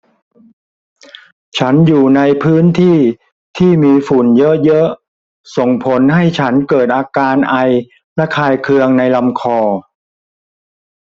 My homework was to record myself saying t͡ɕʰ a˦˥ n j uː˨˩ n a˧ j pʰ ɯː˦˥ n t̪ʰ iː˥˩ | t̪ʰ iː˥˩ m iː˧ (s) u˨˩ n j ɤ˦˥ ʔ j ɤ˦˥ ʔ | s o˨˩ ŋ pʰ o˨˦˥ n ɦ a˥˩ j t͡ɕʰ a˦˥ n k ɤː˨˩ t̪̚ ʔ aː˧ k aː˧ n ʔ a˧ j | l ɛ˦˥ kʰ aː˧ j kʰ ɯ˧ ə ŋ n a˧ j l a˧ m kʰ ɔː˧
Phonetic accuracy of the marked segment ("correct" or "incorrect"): incorrect